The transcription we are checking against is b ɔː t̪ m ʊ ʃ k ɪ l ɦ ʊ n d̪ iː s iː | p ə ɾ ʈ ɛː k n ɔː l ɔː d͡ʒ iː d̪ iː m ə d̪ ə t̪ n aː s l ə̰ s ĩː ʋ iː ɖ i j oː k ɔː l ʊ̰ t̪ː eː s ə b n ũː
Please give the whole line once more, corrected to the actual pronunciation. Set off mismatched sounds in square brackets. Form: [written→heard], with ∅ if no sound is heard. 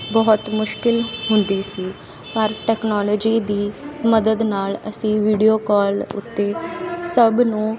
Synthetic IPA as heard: b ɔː t̪ m ʊ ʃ k ɪ l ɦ ʊ n d̪ iː s iː | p ə ɾ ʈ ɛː k n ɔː l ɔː d͡ʒ iː d̪ iː m ə d̪ ə [t̪→d̪] n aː [s→∅] l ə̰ s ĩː ʋ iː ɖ i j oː k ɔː l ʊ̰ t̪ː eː s ə b n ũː